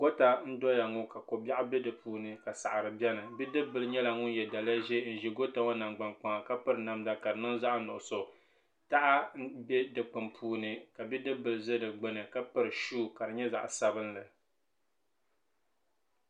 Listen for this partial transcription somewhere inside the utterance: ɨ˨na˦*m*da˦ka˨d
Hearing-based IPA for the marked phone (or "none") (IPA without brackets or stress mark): m